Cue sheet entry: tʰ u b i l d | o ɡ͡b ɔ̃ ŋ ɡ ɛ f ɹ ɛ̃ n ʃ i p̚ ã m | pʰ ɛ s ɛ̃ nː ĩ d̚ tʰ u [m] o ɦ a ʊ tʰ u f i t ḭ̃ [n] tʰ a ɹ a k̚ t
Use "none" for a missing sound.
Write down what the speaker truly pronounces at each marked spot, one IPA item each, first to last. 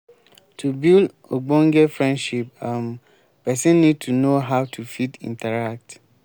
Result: n, n

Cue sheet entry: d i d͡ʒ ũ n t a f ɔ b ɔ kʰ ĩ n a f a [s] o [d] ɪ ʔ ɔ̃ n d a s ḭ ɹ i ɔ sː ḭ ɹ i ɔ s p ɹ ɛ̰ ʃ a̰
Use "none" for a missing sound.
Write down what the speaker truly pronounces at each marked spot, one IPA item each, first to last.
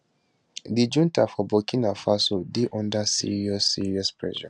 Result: s, d

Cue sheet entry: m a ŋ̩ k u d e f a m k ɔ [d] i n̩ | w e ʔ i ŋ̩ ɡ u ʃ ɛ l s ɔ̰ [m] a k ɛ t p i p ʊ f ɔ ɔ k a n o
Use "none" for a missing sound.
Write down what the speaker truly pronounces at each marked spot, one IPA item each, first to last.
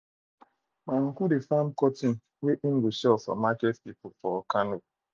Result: t, m

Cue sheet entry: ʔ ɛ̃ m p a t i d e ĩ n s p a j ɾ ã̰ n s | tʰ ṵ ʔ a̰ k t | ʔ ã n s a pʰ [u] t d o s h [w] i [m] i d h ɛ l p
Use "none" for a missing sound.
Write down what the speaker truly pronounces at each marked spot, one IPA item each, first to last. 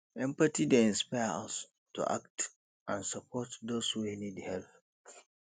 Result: ɔ, u, n

